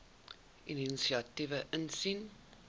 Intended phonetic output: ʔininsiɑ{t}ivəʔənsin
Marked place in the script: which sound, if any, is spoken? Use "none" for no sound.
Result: t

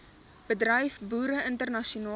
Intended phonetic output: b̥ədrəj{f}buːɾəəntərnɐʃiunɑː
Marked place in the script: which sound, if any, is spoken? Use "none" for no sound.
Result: f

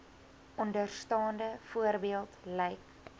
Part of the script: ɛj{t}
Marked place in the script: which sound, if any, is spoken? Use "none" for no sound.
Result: k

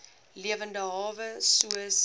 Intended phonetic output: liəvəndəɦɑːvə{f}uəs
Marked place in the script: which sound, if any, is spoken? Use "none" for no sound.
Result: s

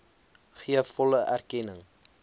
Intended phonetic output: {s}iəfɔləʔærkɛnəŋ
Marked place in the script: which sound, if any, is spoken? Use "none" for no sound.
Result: χ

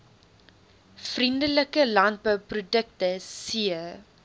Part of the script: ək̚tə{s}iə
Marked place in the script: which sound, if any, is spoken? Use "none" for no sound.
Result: s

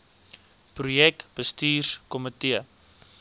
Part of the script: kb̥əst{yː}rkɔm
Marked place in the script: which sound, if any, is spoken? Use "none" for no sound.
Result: iː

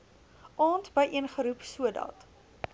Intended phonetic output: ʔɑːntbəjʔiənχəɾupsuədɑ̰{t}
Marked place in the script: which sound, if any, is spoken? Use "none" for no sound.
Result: t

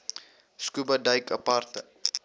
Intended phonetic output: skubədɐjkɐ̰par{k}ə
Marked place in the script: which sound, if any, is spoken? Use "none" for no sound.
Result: t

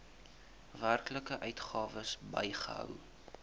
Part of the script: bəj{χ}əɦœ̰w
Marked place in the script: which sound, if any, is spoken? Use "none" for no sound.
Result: χ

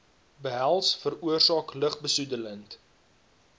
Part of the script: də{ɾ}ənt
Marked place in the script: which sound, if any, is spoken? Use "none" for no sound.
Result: l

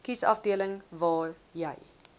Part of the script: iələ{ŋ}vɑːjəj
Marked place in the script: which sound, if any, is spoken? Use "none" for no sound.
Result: ŋ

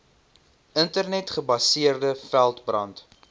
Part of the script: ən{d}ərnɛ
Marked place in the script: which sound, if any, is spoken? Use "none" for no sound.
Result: t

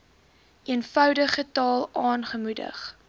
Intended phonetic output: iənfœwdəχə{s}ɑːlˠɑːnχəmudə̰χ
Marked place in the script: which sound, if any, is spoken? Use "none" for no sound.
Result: t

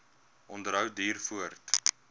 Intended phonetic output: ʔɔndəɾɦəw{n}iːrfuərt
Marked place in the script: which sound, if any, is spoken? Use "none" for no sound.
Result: d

